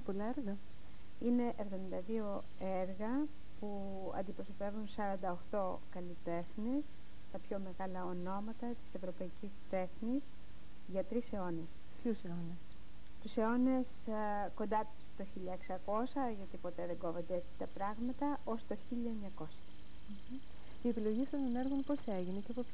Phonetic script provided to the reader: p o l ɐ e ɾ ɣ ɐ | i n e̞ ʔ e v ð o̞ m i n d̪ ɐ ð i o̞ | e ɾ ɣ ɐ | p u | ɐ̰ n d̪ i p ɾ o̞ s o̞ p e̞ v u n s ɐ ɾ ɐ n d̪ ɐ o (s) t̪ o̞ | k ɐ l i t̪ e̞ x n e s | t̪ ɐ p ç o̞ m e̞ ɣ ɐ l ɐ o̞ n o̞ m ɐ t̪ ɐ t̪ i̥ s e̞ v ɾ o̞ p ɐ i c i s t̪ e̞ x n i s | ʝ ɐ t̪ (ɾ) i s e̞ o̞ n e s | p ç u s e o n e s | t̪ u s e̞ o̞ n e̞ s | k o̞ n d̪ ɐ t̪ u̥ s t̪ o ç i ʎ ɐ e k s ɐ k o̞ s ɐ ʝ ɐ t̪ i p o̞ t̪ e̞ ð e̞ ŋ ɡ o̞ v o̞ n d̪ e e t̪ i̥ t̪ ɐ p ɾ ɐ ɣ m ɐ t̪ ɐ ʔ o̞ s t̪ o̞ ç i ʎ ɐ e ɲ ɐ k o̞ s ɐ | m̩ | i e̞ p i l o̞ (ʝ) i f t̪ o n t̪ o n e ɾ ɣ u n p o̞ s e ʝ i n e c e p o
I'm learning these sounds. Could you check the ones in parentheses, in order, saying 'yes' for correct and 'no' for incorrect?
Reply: no, yes, yes

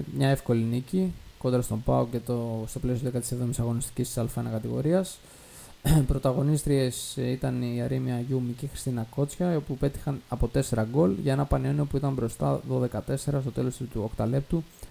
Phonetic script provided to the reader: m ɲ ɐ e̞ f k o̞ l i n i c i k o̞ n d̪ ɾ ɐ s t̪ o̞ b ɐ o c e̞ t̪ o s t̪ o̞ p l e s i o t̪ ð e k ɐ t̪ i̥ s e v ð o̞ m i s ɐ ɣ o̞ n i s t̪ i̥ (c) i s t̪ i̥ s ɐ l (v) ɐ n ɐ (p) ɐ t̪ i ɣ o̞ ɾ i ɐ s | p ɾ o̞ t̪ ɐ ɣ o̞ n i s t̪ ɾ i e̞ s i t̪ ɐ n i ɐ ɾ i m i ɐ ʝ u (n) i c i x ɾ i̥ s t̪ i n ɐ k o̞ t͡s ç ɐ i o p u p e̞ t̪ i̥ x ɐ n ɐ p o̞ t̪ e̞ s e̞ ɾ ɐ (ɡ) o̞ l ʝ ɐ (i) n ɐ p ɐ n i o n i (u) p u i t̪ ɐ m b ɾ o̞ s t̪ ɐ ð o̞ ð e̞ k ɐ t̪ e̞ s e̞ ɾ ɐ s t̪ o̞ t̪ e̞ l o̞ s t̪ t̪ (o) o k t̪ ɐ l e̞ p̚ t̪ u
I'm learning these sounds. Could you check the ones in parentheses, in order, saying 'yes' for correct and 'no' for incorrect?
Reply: yes, no, no, no, yes, no, no, no

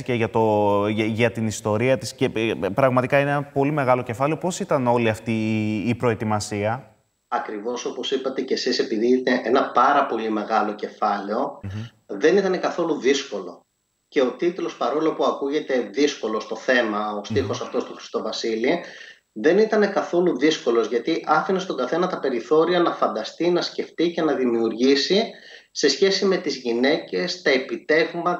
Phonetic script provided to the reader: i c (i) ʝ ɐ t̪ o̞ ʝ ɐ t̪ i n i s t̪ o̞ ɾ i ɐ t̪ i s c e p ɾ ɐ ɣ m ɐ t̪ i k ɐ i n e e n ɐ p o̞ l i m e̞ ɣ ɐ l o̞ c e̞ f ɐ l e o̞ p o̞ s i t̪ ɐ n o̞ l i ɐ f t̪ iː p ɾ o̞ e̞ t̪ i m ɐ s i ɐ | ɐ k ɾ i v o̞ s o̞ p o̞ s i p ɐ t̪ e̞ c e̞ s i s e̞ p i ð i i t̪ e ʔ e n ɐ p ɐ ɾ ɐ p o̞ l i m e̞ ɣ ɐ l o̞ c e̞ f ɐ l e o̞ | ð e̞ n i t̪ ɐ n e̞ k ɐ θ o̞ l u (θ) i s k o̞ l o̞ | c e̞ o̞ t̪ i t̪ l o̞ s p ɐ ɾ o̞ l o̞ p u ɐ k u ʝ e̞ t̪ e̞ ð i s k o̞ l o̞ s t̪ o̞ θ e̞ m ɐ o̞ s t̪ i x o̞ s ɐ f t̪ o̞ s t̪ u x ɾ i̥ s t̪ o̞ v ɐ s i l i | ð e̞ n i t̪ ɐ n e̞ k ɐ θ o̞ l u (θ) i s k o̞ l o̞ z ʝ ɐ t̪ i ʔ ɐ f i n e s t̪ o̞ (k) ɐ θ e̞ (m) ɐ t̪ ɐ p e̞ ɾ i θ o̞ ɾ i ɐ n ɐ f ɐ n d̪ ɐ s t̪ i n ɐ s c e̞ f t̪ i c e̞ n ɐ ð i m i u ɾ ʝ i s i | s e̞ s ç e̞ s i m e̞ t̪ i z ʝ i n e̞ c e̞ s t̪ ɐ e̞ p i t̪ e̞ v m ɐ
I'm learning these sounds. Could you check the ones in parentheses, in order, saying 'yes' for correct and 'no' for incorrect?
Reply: no, no, no, no, no

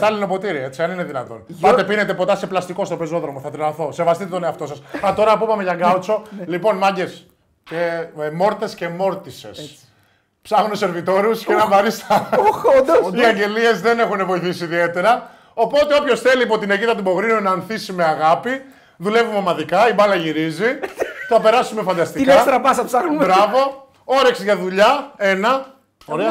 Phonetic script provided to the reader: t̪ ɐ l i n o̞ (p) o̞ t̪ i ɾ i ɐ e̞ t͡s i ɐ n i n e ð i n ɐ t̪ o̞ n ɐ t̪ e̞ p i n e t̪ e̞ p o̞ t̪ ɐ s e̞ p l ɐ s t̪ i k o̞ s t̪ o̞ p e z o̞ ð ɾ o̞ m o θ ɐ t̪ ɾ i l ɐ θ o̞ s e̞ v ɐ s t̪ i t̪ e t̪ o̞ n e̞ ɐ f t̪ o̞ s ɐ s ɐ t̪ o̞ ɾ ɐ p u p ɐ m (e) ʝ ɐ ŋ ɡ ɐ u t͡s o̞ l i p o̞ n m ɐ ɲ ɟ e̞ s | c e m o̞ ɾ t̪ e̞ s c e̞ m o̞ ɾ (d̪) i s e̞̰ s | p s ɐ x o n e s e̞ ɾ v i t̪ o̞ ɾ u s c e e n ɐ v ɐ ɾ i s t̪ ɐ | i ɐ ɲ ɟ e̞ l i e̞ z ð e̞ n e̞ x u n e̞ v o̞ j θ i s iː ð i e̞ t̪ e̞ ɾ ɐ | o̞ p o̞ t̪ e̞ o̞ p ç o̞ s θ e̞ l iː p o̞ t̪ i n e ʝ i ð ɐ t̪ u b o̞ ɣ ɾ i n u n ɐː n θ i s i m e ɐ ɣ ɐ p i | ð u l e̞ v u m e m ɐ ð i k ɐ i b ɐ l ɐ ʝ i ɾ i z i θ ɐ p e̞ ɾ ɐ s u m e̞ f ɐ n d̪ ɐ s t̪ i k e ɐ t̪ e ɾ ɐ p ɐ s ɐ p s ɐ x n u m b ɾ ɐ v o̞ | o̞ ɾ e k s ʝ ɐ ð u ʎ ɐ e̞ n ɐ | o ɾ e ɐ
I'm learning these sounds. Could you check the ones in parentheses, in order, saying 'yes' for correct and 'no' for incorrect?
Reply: yes, yes, no

